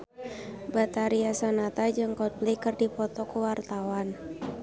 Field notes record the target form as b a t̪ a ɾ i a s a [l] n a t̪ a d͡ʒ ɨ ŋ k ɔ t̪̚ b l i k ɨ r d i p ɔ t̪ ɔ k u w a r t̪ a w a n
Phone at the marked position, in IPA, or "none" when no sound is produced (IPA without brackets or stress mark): none